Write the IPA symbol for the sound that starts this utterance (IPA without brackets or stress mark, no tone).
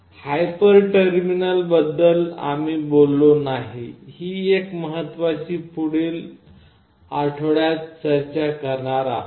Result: h